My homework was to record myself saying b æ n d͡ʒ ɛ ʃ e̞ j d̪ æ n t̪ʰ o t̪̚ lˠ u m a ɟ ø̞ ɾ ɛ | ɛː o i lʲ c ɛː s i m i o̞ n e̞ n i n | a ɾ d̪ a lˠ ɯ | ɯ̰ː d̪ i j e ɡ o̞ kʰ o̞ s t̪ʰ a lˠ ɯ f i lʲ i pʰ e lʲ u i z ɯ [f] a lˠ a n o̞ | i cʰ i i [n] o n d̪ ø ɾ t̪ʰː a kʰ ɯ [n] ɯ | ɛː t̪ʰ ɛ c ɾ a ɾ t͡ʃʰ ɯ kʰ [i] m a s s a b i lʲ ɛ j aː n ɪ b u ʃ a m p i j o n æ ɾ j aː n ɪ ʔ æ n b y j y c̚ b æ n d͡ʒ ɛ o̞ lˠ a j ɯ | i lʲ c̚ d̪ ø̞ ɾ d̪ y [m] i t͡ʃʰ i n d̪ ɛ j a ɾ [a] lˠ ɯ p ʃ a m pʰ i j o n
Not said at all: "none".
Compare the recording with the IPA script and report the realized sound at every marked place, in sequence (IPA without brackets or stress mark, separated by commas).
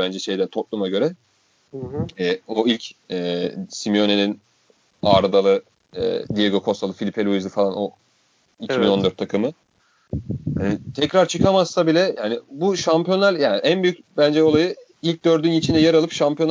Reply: f, n, m, a, n, a